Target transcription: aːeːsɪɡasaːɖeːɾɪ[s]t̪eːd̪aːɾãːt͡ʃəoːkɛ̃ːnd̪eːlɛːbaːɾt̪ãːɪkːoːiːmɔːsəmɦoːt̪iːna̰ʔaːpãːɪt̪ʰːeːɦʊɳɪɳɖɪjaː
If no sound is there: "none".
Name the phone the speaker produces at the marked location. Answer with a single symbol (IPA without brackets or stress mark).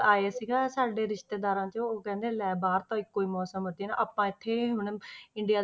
ʃ